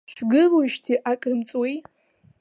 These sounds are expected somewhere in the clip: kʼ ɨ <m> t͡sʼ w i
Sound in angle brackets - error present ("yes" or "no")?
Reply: no